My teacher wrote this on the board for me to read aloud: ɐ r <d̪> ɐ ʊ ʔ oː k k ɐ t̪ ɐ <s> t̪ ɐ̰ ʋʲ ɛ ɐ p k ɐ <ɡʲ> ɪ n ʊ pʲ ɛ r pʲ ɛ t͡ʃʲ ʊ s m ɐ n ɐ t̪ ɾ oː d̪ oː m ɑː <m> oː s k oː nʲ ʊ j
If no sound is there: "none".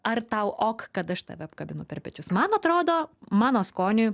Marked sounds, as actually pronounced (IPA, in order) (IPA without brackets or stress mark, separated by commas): t̪, ʃ, bʲ, n